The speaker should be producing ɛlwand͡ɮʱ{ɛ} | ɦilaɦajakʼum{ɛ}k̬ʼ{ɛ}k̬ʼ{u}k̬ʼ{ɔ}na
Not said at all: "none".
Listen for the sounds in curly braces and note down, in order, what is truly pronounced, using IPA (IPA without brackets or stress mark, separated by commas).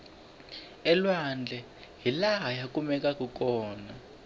ɛ, ɛ, a, u, ɔː